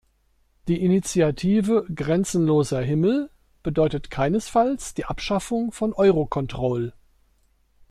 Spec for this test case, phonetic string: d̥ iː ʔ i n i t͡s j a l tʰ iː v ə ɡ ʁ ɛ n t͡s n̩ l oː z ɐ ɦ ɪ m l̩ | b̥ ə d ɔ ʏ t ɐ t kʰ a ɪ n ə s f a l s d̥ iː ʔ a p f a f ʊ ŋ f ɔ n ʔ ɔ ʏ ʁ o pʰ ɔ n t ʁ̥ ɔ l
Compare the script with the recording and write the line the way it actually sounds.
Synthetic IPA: d̥ iː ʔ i n i t͡s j a tʰ iː v ə ɡ ʁ ɛ n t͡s n̩ l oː z ɐ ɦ ɪ m l̩ | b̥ ə d ɔ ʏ t ə t kʰ a ɪ n ə s f a l s d̥ iː ʔ a p ʃ a f ʊ ŋ f ɔ n ʔ ɔ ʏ ʁ o kʰ ɔ n t ʁ̥ ɔ l